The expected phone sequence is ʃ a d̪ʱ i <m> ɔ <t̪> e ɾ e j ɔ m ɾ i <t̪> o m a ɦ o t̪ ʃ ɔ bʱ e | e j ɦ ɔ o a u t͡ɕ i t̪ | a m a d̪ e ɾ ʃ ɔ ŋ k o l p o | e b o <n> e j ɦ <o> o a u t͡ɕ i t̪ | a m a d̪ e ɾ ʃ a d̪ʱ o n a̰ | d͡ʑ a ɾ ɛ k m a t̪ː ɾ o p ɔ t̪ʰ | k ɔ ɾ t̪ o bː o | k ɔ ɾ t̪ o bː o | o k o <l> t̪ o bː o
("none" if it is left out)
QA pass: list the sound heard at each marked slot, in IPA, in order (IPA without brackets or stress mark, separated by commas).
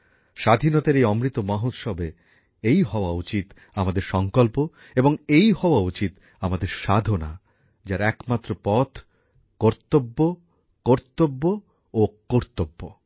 n, t̪, t̪, ŋ, ɔ, ɾ